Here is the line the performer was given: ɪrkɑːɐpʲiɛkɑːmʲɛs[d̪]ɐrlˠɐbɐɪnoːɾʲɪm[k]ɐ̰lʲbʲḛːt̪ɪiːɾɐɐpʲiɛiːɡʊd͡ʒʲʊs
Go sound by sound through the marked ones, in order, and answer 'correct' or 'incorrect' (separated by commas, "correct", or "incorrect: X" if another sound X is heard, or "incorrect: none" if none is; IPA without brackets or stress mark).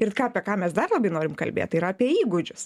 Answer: correct, correct